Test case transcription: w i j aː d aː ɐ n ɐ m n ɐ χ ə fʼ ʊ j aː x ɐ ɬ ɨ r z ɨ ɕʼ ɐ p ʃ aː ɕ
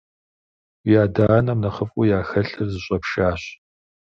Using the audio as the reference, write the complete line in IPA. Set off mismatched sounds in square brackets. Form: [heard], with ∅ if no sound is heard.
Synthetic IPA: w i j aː d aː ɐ n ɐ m n ɐ χ ə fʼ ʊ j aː x ɐ ɬ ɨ r z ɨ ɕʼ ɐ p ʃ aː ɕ